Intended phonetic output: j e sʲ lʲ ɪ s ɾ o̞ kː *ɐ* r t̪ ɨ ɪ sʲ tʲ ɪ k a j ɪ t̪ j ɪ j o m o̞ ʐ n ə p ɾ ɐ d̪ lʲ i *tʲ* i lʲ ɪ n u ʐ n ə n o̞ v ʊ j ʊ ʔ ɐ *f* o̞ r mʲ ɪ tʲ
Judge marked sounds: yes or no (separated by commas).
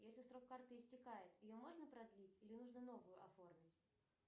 no, yes, yes